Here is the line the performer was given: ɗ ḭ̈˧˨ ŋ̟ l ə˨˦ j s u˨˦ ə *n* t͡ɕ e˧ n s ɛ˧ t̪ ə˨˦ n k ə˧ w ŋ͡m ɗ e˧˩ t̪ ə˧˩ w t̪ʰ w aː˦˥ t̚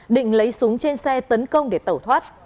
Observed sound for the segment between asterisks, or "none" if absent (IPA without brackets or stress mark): ŋ